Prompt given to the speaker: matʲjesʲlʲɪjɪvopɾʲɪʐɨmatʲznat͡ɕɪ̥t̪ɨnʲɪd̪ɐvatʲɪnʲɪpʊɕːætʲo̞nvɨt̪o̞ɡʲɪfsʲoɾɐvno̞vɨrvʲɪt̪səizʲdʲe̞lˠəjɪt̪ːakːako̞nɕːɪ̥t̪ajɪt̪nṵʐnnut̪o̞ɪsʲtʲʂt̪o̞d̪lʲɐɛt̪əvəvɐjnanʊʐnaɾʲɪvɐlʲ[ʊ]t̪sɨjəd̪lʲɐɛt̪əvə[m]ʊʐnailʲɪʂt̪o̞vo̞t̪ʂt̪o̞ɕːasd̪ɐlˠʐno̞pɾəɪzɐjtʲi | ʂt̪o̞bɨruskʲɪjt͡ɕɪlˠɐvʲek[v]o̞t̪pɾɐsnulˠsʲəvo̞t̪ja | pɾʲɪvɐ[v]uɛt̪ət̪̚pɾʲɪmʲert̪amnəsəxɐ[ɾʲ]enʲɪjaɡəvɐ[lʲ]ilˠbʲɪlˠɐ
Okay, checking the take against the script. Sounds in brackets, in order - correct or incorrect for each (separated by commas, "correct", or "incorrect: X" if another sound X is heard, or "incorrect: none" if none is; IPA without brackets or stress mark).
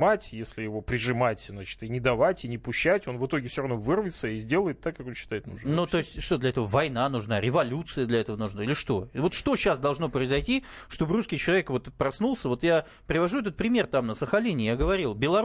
incorrect: u, incorrect: n, correct, incorrect: ʐ, incorrect: lʲ, incorrect: ɾʲ